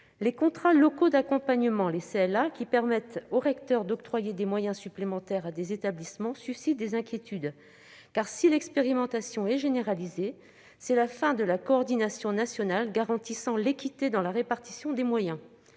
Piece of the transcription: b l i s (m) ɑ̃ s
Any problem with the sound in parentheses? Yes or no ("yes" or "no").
no